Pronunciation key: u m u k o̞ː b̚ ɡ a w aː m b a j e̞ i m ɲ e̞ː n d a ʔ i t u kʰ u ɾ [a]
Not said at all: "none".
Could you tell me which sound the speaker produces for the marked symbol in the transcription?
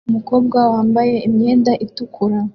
a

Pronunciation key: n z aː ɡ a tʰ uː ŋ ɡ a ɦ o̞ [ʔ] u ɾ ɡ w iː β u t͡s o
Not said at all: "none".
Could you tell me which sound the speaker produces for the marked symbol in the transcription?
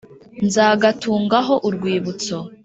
ʔ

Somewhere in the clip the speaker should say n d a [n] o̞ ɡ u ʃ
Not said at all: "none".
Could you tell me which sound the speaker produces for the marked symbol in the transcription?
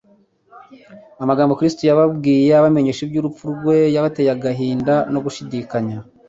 n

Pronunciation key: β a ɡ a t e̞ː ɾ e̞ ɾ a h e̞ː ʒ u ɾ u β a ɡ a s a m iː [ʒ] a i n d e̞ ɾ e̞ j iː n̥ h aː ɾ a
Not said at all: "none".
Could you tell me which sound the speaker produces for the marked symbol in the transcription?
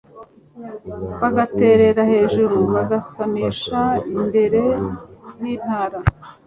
ʃ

